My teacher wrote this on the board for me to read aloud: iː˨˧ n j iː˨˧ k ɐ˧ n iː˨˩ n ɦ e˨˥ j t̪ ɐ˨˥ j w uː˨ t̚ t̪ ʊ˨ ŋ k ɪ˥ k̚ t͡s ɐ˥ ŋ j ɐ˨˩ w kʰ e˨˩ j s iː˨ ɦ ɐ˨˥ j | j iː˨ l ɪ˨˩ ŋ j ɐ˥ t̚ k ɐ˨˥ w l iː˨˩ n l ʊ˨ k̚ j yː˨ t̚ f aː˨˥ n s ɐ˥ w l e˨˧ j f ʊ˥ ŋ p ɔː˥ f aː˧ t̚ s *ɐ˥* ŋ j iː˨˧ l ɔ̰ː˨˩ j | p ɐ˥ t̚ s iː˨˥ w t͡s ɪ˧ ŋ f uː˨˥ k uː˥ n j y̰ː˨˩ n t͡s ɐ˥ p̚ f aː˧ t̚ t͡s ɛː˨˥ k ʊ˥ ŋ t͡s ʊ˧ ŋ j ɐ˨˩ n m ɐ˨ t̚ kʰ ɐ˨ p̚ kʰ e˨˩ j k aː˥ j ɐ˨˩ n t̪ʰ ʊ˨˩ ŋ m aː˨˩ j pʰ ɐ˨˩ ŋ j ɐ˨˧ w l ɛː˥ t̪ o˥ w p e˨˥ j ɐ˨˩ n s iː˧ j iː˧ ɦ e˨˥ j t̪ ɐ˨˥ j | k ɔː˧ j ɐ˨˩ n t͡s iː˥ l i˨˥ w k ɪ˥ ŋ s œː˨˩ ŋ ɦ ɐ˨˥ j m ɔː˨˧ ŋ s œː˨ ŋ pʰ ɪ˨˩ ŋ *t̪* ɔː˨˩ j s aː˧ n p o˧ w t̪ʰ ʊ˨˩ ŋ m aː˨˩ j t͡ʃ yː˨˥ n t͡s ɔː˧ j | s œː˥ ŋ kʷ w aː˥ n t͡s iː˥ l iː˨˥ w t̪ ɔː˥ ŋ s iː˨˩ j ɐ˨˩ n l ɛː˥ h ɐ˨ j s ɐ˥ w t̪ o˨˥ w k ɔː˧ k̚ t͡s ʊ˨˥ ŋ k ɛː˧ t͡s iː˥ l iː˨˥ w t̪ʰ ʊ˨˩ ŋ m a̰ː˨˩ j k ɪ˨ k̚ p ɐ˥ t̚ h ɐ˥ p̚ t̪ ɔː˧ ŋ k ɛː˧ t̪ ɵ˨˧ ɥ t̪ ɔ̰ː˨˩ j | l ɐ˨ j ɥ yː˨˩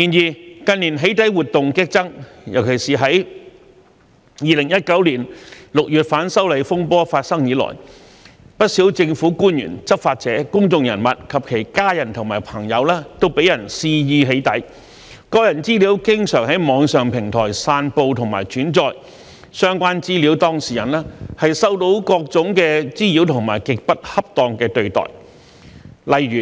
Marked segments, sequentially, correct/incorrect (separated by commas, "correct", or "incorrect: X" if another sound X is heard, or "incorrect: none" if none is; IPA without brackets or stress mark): correct, incorrect: t̪ʰ